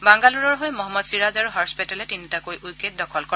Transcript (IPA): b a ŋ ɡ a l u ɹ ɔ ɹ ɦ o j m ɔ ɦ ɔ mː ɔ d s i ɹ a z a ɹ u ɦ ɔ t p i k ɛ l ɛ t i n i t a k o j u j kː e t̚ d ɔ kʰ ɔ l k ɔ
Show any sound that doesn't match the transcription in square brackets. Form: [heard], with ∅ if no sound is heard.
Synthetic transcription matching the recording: b a ŋ ɡ a l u ɹ ɔ ɹ ɦ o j m ɔ ɦ ɔ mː ɔ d s i ɹ a z a ɹ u ɦ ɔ [s] p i [t] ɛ l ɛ t i n i t a k o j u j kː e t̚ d ɔ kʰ ɔ l k ɔ